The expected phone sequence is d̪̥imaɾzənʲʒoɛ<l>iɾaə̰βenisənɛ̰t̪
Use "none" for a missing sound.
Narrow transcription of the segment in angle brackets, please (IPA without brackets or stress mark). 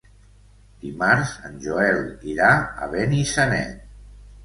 l